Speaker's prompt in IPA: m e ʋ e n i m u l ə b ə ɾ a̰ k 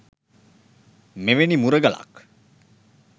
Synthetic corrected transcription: m e ʋ e n i m u ɾ ə ɡ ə l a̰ k